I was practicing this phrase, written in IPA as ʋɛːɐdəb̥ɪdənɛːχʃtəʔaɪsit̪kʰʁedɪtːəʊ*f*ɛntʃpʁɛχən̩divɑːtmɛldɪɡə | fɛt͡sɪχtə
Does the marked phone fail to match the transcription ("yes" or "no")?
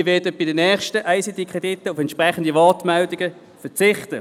no